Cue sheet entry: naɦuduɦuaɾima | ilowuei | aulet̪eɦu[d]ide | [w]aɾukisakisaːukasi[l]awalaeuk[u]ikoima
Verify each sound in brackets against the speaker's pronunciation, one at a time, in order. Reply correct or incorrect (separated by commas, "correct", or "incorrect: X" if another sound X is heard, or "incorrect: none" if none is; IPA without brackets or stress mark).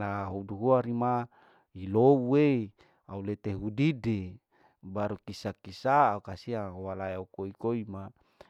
correct, incorrect: b, incorrect: none, incorrect: o